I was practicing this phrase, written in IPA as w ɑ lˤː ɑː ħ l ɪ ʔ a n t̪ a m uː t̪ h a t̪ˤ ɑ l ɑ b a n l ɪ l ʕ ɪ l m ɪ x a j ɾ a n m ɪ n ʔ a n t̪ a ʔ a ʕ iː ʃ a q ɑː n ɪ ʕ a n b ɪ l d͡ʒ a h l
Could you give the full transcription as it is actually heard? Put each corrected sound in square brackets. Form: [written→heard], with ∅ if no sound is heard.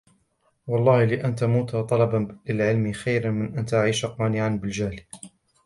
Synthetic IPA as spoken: w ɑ lˤː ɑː [ħ→h] l ɪ ʔ a n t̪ a m uː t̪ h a t̪ˤ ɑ l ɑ b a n l ɪ l ʕ ɪ l m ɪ x a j ɾ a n m ɪ n ʔ a n t̪ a ʔ a ʕ iː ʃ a q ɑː n ɪ ʕ a n b ɪ l d͡ʒ a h l